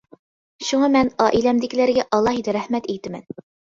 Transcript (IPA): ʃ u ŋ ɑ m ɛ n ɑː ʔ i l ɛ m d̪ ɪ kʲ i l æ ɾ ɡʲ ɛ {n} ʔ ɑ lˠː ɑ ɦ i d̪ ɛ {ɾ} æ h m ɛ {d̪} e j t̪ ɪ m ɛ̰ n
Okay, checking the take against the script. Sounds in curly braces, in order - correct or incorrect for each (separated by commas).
incorrect, correct, incorrect